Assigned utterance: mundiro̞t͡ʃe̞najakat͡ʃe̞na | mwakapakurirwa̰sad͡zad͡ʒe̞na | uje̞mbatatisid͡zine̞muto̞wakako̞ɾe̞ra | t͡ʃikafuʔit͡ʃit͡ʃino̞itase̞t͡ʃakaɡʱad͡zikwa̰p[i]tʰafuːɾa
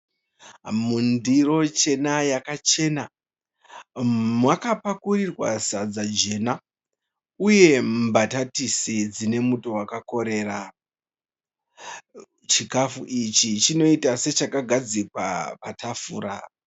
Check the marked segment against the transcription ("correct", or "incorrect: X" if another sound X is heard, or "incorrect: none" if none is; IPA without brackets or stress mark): incorrect: a